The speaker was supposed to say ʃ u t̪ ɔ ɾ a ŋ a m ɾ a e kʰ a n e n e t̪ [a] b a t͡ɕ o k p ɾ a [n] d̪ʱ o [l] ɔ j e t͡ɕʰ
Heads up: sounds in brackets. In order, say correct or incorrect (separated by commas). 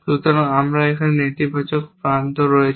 incorrect, correct, incorrect